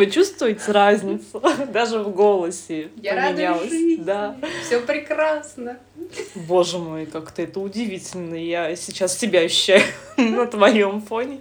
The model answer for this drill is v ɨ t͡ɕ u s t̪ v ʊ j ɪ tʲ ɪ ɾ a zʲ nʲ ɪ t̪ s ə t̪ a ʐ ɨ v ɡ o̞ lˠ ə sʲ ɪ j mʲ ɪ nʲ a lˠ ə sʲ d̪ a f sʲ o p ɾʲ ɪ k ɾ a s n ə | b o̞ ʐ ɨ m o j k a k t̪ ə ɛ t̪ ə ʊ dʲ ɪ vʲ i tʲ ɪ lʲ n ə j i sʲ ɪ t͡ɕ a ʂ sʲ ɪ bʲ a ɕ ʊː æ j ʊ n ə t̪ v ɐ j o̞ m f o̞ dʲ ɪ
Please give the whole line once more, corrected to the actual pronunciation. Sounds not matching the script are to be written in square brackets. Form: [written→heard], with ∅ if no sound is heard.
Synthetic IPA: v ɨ t͡ɕ u s t̪ v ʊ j ɪ tʲ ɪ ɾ a zʲ nʲ ɪ t̪ s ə [t̪→d̪] a ʐ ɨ v ɡ o̞ lˠ ə sʲ ɪ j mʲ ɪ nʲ a lˠ ə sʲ d̪ a f sʲ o p ɾʲ ɪ k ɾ a s n ə | b o̞ ʐ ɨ m o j k a k t̪ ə ɛ t̪ ə ʊ dʲ ɪ vʲ i tʲ ɪ lʲ n ə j [i→a] sʲ ɪ t͡ɕ a [ʂ→s] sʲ ɪ bʲ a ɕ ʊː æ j ʊ n ə t̪ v ɐ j o̞ m f o̞ [dʲ→nʲ] ɪ